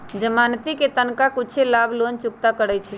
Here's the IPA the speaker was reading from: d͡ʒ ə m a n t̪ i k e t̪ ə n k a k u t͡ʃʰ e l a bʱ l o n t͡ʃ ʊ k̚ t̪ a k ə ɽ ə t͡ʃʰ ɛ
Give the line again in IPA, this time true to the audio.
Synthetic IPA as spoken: d͡ʒ ə m a n t̪ i k e t̪ ə n k a k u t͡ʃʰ e l a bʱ l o n t͡ʃ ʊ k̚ t̪ a k ə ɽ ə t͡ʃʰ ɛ